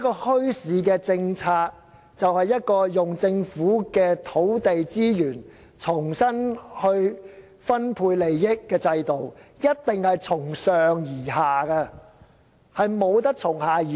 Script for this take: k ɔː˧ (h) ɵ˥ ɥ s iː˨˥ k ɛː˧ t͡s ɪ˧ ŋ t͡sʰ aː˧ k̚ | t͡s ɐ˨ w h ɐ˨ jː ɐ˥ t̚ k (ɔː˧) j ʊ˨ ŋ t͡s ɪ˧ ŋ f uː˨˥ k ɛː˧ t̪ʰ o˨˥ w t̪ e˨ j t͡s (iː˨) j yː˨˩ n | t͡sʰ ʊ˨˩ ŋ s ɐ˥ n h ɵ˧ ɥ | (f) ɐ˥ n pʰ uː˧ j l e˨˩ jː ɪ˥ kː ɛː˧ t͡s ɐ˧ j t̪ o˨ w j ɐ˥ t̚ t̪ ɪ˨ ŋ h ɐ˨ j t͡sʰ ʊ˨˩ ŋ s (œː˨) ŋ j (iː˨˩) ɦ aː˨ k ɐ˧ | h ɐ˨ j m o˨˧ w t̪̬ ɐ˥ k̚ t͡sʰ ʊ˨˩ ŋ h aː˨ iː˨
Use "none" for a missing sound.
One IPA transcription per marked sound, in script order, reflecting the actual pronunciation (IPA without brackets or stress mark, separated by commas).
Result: h, ɔː˧, iː˥, f, œː˨, iː˨˩